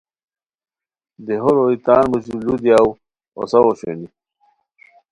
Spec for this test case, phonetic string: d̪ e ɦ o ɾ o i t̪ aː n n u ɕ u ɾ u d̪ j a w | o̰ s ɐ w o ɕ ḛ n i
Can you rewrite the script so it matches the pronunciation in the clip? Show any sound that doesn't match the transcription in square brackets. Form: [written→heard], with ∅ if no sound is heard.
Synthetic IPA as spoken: d̪ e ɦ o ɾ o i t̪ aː n [n→m] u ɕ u [ɾ→l] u d̪ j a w | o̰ s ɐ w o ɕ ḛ n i